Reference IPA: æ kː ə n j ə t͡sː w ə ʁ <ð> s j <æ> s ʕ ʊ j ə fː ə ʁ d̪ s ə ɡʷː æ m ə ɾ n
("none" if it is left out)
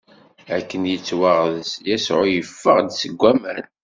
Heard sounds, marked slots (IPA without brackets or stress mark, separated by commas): ð, æ